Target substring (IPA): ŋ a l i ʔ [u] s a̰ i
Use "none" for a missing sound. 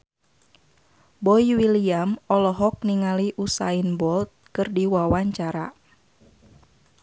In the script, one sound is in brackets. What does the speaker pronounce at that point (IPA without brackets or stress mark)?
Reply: u